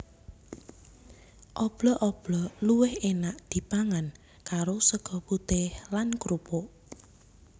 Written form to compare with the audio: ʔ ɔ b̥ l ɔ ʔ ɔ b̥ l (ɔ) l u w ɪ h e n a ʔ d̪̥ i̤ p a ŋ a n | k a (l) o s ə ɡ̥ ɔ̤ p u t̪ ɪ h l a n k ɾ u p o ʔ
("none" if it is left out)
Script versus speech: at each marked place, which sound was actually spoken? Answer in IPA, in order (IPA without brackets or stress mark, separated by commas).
ɔ, ɾ